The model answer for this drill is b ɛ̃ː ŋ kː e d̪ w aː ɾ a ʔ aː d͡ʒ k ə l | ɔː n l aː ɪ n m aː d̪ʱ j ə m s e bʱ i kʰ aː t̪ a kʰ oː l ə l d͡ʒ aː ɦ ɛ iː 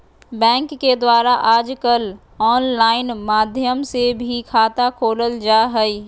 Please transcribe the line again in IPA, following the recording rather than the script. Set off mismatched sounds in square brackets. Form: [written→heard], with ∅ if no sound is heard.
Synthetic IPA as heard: b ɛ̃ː ŋ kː e d̪ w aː ɾ a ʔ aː d͡ʒ k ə l | ɔː n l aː ɪ n m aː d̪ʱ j ə m s e bʱ i kʰ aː t̪ a kʰ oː l ə l d͡ʒ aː ɦ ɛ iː